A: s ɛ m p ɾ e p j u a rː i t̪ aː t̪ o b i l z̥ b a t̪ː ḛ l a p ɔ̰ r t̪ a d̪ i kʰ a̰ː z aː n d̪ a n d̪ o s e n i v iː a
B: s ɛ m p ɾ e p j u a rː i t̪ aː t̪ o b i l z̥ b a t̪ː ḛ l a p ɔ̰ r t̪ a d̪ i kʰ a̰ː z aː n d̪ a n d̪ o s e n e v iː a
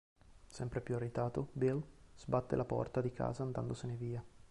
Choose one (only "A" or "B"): B